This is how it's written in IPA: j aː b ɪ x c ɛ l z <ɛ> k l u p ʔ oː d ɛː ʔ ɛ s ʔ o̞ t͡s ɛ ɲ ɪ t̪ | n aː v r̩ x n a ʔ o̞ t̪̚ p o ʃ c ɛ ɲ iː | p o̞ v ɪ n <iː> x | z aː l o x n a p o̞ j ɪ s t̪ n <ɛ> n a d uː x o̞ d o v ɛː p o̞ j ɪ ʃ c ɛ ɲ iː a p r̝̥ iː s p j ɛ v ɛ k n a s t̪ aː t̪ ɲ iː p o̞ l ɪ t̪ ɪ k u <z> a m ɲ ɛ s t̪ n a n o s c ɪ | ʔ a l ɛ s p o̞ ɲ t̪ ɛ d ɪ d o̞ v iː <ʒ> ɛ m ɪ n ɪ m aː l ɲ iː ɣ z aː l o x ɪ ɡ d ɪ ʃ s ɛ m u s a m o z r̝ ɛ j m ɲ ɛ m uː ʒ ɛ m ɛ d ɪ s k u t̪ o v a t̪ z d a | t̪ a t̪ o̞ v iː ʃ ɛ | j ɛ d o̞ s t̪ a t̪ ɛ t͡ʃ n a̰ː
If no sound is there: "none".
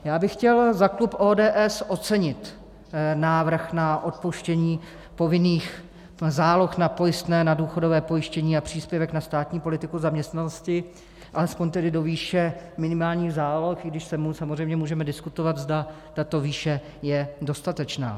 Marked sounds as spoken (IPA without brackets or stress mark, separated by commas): a, iː, ɛː, z, ʃ